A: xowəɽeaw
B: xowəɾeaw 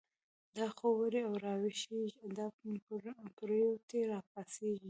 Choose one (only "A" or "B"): B